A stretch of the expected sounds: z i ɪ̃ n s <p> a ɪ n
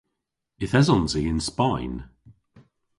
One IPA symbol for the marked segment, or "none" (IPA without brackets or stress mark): p